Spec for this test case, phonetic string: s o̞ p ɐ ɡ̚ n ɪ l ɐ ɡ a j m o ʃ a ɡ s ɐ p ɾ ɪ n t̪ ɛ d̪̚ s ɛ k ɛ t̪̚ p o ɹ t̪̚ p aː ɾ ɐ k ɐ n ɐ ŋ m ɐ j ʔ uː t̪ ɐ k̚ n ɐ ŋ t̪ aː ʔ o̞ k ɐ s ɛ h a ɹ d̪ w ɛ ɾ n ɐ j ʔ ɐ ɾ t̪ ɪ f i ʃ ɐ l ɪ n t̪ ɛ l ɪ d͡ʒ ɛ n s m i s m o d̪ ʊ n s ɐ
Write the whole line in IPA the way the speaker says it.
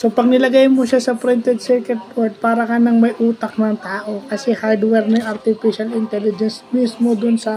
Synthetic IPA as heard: s o̞ p ɐ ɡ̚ n ɪ l ɐ ɡ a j m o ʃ a s ɐ p ɾ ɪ n t̪ ɛ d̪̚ s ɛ k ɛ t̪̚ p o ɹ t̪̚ p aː ɾ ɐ k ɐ n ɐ ŋ m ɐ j ʔ uː t̪ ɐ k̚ n ɐ ŋ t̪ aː ʔ o̞ k ɐ s ɛ h a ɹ d̪ w ɛ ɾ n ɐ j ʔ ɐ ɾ t̪ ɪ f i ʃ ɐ l ɪ n t̪ ɛ l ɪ d͡ʒ ɛ n s m i s m o d̪ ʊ n s ɐ